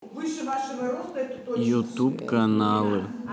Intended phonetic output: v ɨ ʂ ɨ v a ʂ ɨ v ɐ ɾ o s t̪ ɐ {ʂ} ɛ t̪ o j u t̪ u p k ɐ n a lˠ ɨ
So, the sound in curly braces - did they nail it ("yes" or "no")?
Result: no